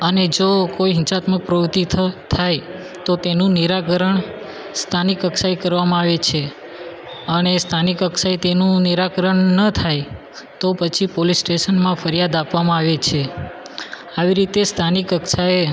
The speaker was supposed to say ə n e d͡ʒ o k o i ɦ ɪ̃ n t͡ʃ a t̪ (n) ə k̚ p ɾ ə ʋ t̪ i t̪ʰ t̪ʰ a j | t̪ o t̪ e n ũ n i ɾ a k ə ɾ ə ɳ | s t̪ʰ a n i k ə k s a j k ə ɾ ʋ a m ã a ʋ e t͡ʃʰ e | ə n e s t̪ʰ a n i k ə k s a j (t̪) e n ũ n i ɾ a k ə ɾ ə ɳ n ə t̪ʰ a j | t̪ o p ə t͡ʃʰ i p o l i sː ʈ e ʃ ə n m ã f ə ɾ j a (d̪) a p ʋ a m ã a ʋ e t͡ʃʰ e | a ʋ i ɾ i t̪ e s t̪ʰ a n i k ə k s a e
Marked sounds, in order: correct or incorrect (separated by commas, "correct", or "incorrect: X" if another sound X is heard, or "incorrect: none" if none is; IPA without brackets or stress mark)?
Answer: incorrect: m, correct, correct